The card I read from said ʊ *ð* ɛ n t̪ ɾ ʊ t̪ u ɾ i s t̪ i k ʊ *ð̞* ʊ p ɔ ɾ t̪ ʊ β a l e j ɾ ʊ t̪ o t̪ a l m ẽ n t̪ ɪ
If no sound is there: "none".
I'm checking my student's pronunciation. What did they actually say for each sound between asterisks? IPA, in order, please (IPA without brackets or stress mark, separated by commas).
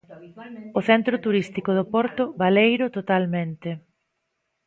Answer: θ, ð̞